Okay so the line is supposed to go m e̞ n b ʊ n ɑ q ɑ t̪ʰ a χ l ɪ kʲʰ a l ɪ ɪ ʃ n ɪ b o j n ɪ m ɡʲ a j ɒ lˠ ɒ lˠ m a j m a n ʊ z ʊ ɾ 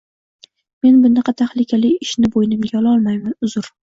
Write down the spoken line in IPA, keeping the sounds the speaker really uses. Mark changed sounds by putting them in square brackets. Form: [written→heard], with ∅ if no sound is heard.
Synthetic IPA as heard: m e̞ n b ʊ n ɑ q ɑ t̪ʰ a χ l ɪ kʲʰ a l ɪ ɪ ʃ n ɪ b o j n ɪ m ɡʲ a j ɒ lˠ ɒ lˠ m a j m a n ʊ z ʊ ɾ